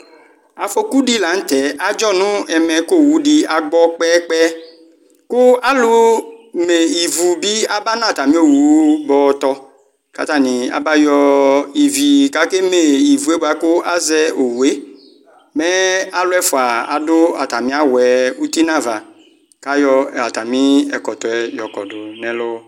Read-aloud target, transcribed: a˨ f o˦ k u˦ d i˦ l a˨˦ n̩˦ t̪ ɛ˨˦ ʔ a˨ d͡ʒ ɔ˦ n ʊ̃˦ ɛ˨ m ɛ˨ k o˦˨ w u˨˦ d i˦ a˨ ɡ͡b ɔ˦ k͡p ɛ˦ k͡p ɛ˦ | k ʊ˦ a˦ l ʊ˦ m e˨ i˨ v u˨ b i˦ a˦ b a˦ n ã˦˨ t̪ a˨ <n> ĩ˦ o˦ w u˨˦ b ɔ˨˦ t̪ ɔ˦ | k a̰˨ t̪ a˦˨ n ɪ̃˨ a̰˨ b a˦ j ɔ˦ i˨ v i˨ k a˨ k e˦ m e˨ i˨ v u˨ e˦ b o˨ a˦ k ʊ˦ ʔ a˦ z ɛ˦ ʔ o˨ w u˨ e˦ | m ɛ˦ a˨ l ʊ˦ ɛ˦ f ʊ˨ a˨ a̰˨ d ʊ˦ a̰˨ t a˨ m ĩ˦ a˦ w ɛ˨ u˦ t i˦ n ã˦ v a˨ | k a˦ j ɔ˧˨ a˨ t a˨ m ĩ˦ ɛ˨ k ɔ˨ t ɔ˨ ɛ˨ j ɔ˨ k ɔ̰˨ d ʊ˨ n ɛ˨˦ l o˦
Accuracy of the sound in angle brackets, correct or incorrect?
incorrect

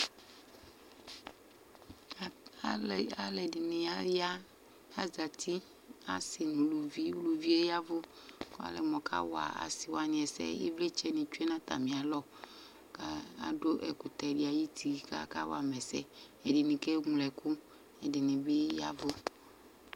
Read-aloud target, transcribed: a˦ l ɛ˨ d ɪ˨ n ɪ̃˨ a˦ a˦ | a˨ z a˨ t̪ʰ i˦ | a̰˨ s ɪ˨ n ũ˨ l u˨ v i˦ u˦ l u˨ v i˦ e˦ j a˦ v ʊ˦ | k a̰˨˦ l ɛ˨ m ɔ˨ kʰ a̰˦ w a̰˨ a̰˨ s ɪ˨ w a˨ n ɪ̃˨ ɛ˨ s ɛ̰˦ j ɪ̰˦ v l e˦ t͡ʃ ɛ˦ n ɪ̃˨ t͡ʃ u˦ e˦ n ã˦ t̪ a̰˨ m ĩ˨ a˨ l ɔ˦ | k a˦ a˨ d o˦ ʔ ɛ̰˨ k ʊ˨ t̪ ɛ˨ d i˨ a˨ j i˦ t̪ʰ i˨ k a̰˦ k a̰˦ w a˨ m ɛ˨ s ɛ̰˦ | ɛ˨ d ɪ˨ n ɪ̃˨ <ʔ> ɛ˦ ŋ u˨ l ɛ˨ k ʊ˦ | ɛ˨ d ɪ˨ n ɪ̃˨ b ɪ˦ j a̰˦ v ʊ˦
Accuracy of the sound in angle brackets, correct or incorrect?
incorrect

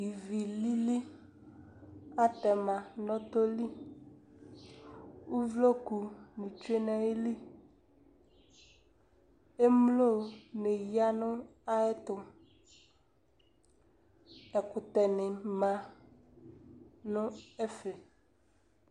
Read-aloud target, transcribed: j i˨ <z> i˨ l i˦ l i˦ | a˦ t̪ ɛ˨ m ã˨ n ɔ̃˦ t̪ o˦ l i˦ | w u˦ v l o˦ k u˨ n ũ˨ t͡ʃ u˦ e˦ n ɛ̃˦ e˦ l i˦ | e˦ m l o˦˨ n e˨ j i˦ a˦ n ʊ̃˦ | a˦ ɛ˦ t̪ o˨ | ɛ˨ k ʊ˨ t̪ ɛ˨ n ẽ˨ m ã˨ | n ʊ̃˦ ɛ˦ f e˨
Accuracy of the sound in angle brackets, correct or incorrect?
incorrect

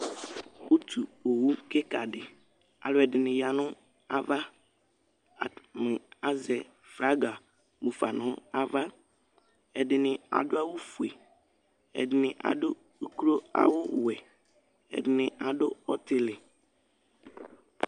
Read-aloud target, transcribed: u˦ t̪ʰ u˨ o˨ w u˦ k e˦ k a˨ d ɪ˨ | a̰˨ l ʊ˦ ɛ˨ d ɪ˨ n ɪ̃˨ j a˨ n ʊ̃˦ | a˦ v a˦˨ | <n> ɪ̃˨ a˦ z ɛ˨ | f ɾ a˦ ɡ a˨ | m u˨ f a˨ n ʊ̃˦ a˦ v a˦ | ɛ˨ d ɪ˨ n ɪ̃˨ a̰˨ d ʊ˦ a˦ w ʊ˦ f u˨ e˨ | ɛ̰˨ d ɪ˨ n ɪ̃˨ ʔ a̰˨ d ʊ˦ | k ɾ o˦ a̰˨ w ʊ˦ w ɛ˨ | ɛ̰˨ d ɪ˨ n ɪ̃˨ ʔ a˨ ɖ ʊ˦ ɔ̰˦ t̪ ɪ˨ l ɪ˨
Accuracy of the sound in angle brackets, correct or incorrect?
incorrect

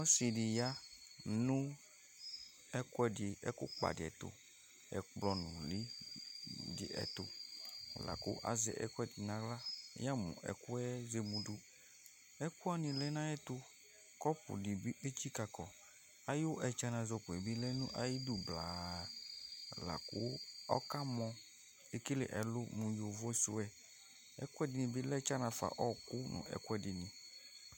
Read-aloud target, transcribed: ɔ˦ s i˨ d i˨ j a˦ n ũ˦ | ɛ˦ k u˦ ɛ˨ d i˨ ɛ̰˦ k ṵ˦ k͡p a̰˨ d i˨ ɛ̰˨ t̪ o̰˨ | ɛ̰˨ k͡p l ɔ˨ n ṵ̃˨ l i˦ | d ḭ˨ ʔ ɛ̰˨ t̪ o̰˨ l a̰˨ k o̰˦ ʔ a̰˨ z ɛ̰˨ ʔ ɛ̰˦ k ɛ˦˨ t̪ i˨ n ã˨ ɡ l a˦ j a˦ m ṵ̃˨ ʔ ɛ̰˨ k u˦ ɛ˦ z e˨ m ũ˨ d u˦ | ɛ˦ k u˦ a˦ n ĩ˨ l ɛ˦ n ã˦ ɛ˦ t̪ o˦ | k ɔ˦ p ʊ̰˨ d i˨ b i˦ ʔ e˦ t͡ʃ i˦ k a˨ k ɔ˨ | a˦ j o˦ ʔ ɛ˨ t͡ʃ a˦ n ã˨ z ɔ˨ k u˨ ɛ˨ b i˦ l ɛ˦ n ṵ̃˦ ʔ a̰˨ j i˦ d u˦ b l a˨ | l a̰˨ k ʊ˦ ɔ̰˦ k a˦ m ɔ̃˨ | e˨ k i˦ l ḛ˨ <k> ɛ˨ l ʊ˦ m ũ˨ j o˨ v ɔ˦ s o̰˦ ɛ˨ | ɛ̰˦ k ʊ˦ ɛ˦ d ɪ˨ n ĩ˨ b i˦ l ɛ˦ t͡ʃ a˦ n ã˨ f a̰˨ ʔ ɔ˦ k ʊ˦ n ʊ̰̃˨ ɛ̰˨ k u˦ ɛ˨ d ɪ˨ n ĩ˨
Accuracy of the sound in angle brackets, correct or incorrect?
incorrect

